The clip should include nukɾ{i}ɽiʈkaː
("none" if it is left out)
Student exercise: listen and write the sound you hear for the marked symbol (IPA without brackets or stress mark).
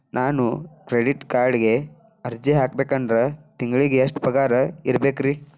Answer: e